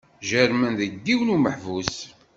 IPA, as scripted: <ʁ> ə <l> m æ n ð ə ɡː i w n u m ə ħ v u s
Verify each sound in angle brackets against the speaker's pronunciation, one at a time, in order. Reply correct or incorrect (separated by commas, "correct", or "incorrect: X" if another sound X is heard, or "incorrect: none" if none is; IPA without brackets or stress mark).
incorrect: ʒ, incorrect: ɾ